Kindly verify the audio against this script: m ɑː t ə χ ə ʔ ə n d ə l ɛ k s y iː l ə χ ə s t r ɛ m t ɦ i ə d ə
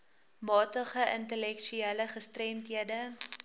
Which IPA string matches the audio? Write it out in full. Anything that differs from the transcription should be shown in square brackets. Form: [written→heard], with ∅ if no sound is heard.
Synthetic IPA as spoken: m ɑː t ə χ ə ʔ ə n [d→t] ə l ɛ k [s→ʃ] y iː l ə χ ə s t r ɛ m t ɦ i ə d ə